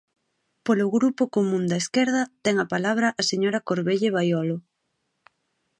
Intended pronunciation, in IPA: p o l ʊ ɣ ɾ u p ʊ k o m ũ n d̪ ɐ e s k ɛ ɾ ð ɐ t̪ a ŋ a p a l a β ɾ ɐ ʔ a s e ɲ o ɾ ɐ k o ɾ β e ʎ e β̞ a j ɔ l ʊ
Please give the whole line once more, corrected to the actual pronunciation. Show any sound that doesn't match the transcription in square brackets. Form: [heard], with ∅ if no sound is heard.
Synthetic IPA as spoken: p o l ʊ ɣ ɾ u p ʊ k o m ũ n d̪ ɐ e s k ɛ ɾ ð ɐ t̪ [ɛ] ŋ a p a l a β ɾ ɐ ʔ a s e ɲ o ɾ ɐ k o ɾ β e ʎ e β̞ a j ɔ l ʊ